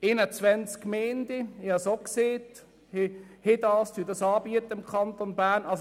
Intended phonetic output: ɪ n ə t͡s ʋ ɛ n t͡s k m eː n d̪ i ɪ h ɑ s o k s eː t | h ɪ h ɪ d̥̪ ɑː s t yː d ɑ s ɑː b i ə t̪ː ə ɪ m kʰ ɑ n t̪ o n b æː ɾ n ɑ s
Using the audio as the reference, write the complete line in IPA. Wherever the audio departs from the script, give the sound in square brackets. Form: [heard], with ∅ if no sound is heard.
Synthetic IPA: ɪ n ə t͡s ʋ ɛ n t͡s k m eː n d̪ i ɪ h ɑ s o k s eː t | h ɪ h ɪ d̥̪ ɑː s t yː d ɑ s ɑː b i ə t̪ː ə ɪ m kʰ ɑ n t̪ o n b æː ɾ n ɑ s